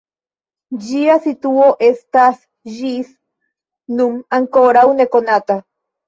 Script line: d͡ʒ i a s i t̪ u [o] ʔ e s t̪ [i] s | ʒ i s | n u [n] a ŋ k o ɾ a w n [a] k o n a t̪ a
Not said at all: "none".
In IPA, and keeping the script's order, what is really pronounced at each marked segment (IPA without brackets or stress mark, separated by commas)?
o, a, m, e